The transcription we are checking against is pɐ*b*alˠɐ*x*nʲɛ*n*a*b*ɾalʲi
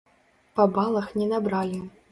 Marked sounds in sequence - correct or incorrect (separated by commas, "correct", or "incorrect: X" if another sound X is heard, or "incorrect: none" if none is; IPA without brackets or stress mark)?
correct, correct, correct, correct